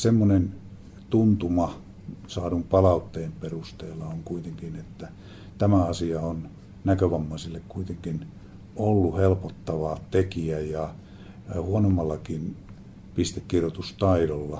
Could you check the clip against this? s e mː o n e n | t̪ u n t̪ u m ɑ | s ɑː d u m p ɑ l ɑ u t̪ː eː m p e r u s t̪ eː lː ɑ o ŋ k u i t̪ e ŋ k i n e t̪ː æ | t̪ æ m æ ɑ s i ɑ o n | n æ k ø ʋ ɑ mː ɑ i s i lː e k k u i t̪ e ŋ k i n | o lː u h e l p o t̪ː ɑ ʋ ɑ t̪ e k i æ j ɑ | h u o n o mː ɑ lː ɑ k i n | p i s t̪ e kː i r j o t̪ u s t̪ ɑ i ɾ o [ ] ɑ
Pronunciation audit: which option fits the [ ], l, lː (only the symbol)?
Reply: lː